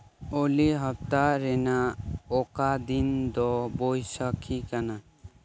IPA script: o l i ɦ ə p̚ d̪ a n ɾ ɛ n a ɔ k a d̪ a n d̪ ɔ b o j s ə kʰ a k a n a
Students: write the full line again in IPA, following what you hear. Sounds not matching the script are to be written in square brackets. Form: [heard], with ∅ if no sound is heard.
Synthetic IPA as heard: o l i ɦ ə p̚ [t̪] a [∅] ɾ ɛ n a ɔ k a d̪ [i] n d̪ ɔ b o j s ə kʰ [i] k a n a